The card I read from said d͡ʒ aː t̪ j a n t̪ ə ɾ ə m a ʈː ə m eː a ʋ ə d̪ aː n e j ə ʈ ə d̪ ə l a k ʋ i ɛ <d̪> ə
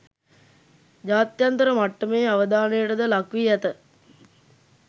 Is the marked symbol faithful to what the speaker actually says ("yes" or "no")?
no